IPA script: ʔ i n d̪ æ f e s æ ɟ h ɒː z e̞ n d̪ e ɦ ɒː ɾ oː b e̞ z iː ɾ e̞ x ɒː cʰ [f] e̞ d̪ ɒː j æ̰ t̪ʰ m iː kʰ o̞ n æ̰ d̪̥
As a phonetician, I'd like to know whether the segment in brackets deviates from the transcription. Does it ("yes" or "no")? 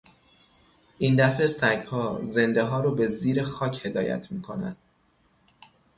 yes